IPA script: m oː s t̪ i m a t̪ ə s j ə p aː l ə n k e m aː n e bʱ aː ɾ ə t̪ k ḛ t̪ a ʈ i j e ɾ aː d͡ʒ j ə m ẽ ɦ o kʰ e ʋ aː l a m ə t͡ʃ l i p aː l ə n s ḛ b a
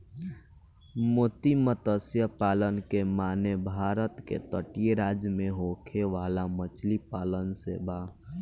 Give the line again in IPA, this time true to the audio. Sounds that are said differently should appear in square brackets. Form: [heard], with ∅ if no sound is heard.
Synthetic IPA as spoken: m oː [∅] t̪ i m [ə] t̪ ə s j ə p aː l ə n k e m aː n e bʱ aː ɾ ə t̪ k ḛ t̪ [ə] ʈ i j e ɾ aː d͡ʒ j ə m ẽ ɦ o kʰ e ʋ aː l a m ə t͡ʃ l i p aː l ə n s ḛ b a